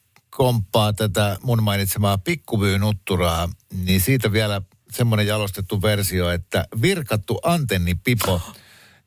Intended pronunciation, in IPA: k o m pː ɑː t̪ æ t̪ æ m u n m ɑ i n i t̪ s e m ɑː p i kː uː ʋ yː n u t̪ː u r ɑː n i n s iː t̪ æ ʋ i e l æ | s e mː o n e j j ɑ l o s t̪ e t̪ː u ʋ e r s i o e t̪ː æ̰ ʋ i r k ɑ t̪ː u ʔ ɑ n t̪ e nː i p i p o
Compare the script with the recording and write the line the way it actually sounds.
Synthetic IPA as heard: k o m pː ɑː t̪ æ t̪ æ m u n m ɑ i n i t̪ s e m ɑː p i kː u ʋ yː n u t̪ː u r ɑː n i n s iː t̪ æ ʋ i æ l æ | s e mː o n e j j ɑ l o s t̪ e t̪ː u ʋ e r s i o e t̪ː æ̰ ʋ i r k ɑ t̪ː u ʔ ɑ n t̪ e nː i p i p o